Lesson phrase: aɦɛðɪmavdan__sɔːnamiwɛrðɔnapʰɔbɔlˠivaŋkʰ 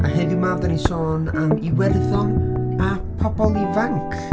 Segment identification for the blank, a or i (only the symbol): i